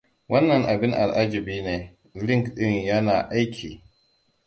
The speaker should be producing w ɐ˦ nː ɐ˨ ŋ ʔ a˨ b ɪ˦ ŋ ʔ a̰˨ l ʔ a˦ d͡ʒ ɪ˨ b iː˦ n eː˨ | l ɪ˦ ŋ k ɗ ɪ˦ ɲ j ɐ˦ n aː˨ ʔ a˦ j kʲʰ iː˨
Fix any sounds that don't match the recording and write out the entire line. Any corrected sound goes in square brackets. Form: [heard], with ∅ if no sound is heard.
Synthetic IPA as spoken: w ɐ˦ nː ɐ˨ ŋ ʔ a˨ b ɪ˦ ŋ ʔ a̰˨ l ʔ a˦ d͡ʒ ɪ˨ b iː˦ n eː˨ | l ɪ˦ ŋ k ɗ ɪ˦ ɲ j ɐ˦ n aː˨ ʔ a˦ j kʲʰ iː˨